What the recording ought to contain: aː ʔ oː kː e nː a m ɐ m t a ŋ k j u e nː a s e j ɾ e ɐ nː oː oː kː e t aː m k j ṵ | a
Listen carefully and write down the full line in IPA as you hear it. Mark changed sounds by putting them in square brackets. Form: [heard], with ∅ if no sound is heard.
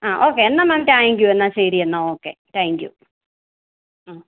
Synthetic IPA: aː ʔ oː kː e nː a m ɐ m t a ŋ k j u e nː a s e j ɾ [i] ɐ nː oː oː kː e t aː [ŋ] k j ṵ | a